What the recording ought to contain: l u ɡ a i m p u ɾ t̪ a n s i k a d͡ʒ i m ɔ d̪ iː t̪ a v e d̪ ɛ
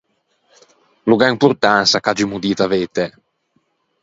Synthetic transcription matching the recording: l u ɡ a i m p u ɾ t̪ a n s a k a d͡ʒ i m u d̪ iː t̪ a v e t̪ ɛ